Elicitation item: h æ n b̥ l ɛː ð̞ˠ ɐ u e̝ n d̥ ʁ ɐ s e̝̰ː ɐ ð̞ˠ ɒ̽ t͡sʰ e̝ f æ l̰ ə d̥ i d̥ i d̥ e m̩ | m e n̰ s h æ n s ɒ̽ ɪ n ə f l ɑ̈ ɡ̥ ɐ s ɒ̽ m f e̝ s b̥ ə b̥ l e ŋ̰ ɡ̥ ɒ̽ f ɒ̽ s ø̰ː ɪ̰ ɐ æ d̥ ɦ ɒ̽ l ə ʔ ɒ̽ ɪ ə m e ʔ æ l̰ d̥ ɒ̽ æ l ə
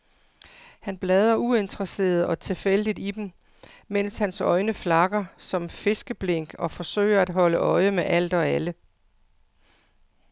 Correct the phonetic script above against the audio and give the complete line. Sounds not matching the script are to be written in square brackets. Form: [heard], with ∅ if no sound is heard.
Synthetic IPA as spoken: h æ n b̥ l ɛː ð̞ˠ ɐ u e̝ n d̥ ʁ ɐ s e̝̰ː ɐ ð̞ˠ ɒ̽ t͡sʰ e̝ f [e] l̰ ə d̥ i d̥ i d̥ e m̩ | m e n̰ s h æ n s ɒ̽ ɪ n ə f l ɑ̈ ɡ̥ ɐ s ɒ̽ m f e̝ s [ɡ̥] ə b̥ l e ŋ̰ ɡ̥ ɒ̽ f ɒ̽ s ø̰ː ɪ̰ ɐ æ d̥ ɦ ɒ̽ l ə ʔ ɒ̽ ɪ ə m e ʔ æ l̰ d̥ ɒ̽ æ l ə